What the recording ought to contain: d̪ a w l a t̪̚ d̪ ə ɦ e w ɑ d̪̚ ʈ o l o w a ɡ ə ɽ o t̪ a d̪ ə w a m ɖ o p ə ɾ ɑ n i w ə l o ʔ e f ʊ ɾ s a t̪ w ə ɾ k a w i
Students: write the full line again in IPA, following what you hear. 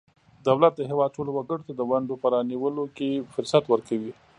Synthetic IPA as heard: d̪ a w l a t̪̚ d̪ ə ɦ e w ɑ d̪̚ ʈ o l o w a ɡ ə ɽ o t̪ a d̪ ə w a ɳ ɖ o p ə ɾ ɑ n i w ə l o k e f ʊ ɾ s a t̪ w ə ɾ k a w i